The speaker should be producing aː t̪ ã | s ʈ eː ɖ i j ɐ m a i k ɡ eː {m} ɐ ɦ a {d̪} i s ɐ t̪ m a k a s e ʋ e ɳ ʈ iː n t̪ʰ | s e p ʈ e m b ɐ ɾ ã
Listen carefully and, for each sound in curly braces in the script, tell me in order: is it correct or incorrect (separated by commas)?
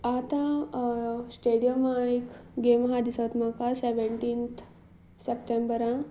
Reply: correct, correct